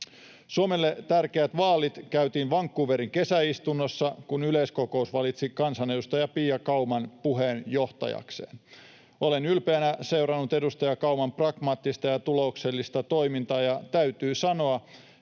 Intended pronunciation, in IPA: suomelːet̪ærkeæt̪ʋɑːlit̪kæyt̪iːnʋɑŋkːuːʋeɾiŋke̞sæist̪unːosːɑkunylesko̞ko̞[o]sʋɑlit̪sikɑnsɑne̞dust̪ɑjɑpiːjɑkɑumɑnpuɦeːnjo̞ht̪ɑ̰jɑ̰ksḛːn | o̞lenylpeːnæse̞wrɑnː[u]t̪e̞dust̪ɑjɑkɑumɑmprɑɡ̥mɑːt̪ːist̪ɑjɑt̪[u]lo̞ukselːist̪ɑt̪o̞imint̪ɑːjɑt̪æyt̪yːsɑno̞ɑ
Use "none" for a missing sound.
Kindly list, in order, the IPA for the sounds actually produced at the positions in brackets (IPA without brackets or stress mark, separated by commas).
u, u, u